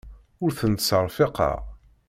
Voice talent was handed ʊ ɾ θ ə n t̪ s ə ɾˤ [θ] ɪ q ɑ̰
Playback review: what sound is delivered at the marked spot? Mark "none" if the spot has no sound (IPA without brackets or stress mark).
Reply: f